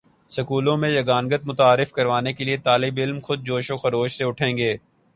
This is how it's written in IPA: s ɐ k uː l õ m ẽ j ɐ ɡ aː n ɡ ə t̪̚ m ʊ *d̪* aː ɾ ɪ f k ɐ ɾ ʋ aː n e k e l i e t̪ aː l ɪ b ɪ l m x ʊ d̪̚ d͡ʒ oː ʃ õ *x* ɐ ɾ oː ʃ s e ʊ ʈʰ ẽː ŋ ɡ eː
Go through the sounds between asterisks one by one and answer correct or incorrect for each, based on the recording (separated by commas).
incorrect, correct